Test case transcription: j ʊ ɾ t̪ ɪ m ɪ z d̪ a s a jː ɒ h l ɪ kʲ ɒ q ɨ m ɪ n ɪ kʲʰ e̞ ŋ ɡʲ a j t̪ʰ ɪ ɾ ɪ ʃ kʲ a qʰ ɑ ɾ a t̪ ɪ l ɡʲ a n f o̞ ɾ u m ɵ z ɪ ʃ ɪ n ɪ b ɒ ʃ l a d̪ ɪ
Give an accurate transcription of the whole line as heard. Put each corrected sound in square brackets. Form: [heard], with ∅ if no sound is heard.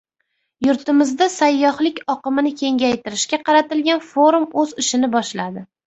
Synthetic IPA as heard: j ʊ ɾ t̪ ɪ m ɪ z d̪ a s a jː ɒ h l ɪ kʲ ɒ q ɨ m ɪ n ɪ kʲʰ e̞ ŋ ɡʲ a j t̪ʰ ɪ ɾ ɪ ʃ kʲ a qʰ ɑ ɾ a t̪ ɪ l ɡʲ a n f o̞ ɾ u m ɵ z ɪ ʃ ɪ n ɪ b ɒ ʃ l a d̪ ɪ